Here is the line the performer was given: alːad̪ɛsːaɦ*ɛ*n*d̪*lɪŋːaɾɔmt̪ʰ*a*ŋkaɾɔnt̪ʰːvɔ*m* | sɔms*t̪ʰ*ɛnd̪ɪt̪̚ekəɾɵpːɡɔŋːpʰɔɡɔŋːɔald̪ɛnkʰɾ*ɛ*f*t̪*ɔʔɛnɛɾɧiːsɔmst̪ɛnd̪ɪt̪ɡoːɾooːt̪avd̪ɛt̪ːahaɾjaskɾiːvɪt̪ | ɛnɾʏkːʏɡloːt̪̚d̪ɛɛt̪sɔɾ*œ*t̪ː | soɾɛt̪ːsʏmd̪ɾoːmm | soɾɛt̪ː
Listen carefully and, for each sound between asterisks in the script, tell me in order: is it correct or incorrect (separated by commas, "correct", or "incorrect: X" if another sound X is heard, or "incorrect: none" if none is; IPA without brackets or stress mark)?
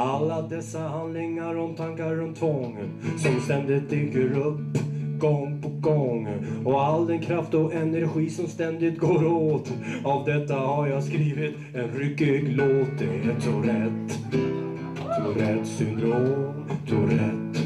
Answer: incorrect: a, correct, correct, incorrect: ŋ, incorrect: t̪, incorrect: a, correct, incorrect: ɛ